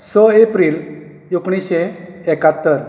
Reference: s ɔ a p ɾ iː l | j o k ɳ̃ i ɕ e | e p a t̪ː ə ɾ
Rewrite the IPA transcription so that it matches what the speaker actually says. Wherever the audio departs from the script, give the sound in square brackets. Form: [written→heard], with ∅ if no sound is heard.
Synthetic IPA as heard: s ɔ [a→e] p ɾ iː l | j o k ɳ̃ i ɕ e | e [p→k] a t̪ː ə ɾ